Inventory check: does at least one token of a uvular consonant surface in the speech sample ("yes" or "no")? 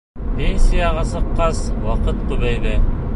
yes